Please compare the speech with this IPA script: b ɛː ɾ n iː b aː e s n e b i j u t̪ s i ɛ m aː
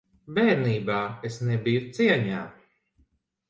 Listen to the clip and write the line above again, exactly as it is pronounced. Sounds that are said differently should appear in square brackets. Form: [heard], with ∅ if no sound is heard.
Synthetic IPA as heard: b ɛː ɾ n iː b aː e s n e b i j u t̪ s i ɛ [ɲ] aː